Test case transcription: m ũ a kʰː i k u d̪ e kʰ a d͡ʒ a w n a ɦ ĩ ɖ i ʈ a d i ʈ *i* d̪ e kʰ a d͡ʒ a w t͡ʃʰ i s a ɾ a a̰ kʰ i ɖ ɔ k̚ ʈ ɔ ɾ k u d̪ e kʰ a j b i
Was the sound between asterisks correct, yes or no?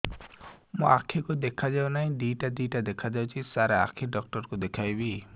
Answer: no